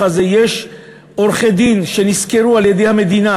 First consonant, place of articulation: alveolar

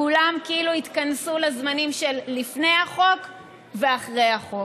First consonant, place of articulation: alveolar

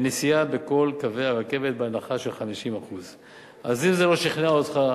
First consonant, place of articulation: alveolar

